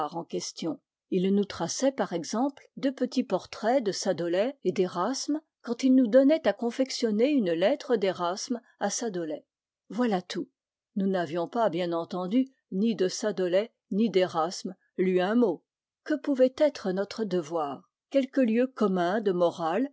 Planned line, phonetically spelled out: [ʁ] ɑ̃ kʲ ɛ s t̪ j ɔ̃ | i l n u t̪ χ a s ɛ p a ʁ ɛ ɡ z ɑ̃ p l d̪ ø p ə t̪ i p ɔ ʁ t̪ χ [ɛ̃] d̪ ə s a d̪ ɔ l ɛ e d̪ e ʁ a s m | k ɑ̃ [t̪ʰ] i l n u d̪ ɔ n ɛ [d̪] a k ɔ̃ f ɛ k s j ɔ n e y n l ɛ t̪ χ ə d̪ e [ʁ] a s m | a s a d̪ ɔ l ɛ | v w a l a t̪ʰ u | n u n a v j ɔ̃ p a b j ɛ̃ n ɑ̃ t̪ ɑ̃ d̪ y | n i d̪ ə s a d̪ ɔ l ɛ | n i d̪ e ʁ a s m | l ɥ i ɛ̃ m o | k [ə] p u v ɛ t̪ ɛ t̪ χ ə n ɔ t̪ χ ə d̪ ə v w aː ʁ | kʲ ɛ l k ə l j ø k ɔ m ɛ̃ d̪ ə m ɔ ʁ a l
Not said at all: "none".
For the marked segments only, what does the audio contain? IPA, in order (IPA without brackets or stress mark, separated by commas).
ʁ, ɛ, t̪, t̪, ʁ, ə